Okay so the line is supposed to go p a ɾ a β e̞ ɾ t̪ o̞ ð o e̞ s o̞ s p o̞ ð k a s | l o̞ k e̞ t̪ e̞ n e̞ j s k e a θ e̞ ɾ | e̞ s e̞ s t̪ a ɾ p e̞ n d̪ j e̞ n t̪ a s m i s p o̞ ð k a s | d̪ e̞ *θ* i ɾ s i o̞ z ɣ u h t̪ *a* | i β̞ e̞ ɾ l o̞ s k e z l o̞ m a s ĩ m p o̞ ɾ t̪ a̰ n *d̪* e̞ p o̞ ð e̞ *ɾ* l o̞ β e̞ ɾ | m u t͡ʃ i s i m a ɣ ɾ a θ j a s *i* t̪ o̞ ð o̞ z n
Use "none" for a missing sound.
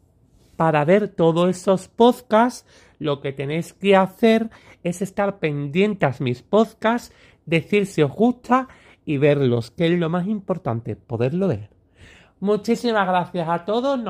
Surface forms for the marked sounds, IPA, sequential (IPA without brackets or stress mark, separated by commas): θ, a, t̪, ɾ, a